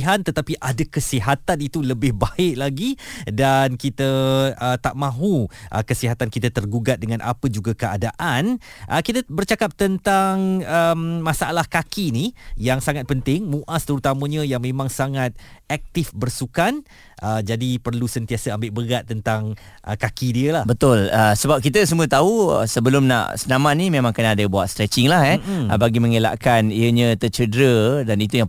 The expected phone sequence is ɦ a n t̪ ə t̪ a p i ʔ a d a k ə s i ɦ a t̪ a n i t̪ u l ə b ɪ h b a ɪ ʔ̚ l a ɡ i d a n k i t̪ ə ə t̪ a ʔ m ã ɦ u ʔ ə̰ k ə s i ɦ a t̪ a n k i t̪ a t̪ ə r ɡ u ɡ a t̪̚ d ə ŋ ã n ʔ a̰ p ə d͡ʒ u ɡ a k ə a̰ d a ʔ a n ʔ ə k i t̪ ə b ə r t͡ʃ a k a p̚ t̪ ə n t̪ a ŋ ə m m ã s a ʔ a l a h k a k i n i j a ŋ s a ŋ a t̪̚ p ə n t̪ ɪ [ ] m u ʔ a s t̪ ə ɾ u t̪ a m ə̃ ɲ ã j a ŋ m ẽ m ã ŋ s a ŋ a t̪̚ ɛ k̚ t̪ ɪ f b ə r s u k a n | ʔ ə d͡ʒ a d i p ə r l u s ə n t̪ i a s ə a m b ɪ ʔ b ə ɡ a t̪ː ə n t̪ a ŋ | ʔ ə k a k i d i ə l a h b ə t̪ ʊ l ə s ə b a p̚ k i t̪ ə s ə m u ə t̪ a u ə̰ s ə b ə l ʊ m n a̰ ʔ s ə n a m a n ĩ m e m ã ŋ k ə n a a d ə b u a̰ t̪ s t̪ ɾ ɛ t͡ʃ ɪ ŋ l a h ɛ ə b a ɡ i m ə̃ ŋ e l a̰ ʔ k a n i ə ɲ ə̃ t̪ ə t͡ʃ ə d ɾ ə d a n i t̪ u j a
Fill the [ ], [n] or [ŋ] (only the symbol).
ŋ